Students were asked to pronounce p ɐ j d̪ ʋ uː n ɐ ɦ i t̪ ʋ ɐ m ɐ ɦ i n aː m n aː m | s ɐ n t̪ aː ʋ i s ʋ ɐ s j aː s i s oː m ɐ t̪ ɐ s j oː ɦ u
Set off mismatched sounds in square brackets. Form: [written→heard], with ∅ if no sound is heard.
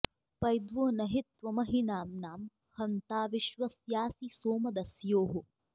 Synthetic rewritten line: p ɐ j d̪ ʋ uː n ɐ ɦ i t̪ ʋ ɐ m ɐ ɦ i n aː m n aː m | [s→h] ɐ n t̪ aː ʋ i [s→ʃ] ʋ ɐ s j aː s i s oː m ɐ [t̪→d̪] ɐ s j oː ɦ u

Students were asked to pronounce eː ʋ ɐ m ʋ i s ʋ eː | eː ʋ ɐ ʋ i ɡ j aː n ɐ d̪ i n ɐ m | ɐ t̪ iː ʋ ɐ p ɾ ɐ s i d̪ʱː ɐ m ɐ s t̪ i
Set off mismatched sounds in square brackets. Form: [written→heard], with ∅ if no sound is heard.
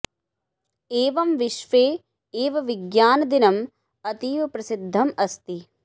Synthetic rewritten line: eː ʋ ɐ m ʋ i [s→ʃ] ʋ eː | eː ʋ ɐ ʋ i ɡ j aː n ɐ d̪ i n ɐ m | ɐ t̪ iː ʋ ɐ p ɾ ɐ s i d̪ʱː ɐ m ɐ s t̪ i

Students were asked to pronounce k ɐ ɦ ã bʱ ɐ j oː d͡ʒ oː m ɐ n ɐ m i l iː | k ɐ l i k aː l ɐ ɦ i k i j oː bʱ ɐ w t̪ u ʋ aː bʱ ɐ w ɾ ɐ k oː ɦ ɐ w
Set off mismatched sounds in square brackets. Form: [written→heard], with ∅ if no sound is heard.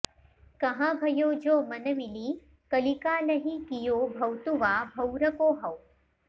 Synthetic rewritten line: k ɐ ɦ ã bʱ ɐ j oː d͡ʒ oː m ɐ n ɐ m i l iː | k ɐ l i k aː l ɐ ɦ i k i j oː bʱ ɐ w t̪ u ʋ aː bʱ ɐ w ɾ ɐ k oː ɦ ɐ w

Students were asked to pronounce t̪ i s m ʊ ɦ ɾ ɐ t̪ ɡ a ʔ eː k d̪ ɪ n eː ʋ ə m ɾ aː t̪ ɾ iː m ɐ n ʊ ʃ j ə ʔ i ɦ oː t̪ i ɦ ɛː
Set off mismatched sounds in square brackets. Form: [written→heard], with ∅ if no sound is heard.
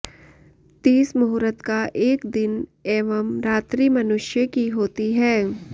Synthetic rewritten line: t̪ [i→iː] s m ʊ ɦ ɾ [ɐ→ə] t̪ [ɡ→k] a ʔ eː k d̪ ɪ n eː ʋ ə m ɾ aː t̪ ɾ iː m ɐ n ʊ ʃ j ə [ʔ→k] i ɦ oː t̪ i ɦ ɛː

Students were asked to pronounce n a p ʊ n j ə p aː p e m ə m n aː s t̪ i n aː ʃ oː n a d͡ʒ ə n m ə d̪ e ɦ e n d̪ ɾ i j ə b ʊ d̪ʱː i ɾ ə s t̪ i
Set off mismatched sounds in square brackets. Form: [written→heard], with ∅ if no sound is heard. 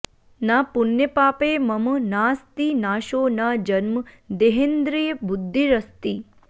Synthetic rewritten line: n a p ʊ n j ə p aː p e m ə m n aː s t̪ i n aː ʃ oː n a d͡ʒ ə n m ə d̪ e ɦ e n d̪ ɾ i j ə b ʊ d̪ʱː i ɾ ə s t̪ i

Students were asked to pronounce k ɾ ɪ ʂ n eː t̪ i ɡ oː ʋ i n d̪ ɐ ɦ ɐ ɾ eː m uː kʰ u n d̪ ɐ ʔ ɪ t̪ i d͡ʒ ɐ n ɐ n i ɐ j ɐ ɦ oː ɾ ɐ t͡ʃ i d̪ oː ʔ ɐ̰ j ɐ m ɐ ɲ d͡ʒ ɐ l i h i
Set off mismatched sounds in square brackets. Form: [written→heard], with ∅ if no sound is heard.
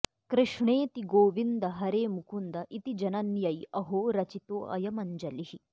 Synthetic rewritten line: k ɾ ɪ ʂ [n→ɳ] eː t̪ i ɡ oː ʋ i n d̪ ɐ ɦ ɐ ɾ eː m [uː→u] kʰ u n d̪ ɐ ʔ [ɪ→i] t̪ i d͡ʒ ɐ n ɐ n [i→j] ɐ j ɐ ɦ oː ɾ ɐ t͡ʃ i [d̪→t̪] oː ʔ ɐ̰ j ɐ m ɐ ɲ d͡ʒ ɐ l i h i

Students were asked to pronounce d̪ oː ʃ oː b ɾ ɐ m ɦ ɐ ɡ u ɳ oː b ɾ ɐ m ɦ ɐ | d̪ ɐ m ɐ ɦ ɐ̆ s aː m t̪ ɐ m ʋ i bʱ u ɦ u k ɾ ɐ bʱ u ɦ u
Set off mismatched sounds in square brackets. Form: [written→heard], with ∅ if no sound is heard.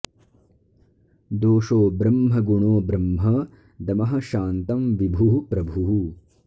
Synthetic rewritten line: d̪ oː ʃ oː b ɾ ɐ m ɦ ɐ ɡ u ɳ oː b ɾ ɐ m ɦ ɐ | d̪ ɐ m ɐ ɦ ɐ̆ [s→ʃ] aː [m→n] t̪ ɐ m ʋ i bʱ u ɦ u [k→p] ɾ ɐ bʱ u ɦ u

